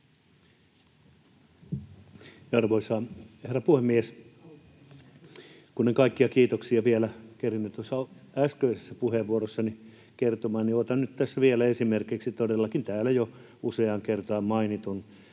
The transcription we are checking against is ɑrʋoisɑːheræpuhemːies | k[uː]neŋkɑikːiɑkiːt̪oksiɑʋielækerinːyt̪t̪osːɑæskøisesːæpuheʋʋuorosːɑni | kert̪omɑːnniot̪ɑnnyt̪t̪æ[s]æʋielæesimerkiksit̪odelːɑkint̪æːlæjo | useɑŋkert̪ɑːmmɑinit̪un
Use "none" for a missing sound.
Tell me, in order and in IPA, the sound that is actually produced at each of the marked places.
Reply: u, sː

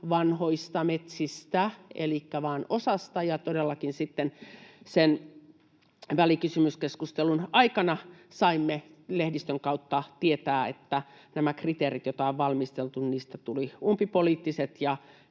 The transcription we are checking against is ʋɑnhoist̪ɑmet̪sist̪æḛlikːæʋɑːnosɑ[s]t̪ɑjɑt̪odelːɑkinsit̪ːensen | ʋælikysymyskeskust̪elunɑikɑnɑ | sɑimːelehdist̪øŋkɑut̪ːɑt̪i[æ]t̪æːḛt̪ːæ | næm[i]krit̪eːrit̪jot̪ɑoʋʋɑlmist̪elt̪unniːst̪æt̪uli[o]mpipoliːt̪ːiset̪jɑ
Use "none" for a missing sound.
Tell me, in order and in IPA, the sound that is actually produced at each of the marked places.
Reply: s, e, æ, u

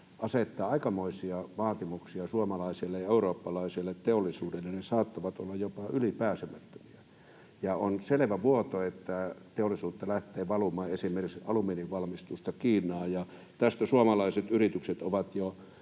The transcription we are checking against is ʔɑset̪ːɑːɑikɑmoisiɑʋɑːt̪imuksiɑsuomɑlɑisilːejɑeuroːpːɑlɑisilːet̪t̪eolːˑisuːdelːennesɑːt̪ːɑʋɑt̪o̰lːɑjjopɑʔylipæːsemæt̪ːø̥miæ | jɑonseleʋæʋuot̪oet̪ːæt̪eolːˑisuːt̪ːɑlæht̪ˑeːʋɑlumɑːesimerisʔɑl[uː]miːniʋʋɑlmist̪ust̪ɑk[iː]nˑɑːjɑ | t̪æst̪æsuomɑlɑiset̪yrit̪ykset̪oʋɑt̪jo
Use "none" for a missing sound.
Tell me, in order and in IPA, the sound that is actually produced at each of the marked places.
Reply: u, iː

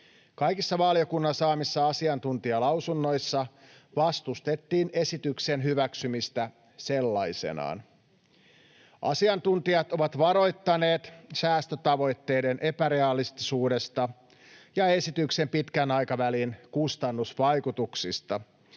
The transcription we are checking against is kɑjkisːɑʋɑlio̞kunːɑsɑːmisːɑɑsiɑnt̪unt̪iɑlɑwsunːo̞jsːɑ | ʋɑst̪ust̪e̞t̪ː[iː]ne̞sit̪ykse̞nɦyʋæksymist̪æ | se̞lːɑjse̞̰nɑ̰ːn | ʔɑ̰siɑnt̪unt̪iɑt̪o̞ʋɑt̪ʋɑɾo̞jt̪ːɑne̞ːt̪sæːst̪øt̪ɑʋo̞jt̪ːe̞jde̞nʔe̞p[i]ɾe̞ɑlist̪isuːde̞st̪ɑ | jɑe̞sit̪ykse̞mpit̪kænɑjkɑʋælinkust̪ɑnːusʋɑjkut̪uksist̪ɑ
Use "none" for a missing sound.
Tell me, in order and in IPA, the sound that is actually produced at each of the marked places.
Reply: iː, æ

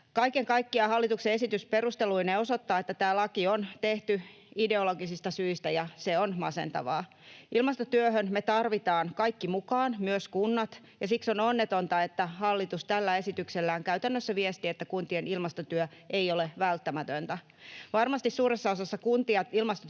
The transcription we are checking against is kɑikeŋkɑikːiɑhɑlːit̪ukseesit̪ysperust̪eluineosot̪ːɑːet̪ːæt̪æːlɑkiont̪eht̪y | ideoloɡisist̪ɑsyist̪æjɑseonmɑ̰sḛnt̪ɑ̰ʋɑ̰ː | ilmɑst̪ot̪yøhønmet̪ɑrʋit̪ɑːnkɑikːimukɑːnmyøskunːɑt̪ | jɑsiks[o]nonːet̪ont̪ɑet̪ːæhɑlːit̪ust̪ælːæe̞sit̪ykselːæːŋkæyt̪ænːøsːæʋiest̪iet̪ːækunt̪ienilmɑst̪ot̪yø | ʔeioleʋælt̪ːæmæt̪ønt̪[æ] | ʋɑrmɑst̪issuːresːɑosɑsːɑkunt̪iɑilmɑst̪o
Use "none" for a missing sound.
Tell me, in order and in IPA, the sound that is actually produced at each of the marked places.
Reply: o, æ

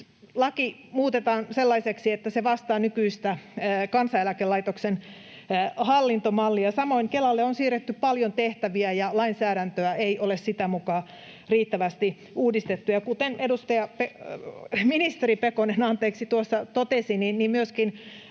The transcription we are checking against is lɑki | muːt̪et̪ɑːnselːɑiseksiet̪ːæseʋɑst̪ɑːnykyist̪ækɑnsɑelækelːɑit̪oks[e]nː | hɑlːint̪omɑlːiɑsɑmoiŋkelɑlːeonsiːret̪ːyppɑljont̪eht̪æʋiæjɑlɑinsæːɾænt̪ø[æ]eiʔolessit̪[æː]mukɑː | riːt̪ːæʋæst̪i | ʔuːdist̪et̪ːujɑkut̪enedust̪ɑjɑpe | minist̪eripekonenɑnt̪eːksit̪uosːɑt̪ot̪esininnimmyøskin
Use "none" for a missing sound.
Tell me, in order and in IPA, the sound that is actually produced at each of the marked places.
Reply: e, æ, æ

